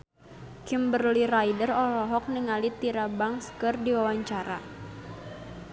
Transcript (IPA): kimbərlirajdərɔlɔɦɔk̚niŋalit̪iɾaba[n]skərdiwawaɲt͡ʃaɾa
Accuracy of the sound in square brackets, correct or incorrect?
incorrect